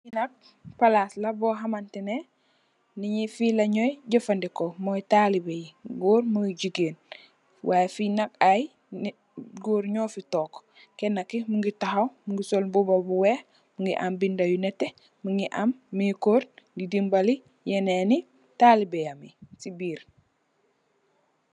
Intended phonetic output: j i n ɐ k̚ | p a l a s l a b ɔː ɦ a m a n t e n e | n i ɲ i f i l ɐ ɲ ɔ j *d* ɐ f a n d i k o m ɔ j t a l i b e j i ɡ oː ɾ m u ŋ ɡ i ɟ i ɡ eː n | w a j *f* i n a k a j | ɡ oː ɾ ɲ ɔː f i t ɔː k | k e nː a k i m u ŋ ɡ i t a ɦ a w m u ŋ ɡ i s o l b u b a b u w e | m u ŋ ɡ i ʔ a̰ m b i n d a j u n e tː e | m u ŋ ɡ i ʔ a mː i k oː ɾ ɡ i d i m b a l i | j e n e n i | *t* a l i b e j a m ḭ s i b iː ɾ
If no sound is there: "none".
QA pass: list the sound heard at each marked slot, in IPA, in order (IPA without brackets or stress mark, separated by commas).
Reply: ɟ, f, t